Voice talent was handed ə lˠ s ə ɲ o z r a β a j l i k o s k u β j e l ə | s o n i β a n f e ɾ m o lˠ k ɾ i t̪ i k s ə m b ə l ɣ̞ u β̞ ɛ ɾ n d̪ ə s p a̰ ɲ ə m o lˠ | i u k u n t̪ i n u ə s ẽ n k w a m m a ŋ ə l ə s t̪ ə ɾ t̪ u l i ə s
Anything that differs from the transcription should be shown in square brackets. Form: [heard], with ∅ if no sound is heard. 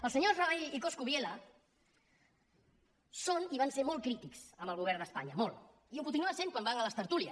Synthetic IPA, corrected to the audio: ə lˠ s ə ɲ o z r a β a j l i k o s k u β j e l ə | s o n i β a n [s] e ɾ m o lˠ k ɾ i t̪ i k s ə m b ə l ɣ̞ u β̞ ɛ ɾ n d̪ ə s p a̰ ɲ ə m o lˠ | i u k u n t̪ i n u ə s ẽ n k w a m [b] a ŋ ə l ə s t̪ ə ɾ t̪ u l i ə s